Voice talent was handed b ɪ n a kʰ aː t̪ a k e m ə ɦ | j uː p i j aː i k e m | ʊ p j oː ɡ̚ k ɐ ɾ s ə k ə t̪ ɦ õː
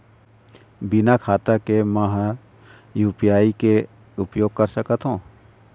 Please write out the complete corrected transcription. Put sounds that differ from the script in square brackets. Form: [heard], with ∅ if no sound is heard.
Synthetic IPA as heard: b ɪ n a kʰ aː t̪ a k e m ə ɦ | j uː p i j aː i k e [∅] | ʊ p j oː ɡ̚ k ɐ ɾ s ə k ə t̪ ɦ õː